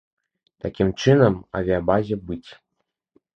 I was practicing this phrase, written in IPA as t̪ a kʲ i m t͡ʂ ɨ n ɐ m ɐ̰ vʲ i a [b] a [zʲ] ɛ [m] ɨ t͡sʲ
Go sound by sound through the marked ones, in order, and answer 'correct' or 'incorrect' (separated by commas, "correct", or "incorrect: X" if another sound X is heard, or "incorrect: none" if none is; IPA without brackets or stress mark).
correct, correct, incorrect: b